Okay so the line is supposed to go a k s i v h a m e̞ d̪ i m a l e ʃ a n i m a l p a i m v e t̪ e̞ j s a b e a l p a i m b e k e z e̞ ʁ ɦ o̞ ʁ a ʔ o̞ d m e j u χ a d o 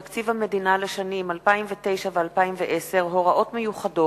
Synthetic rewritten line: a k t͡s i v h a m e̞ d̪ i n a l e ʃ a n i m a l p a i m v e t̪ e̞ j ʃ a v e a l p a i m v e ʔ e s e̞ ʁ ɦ o̞ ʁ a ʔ o̞ t m e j u χ a d o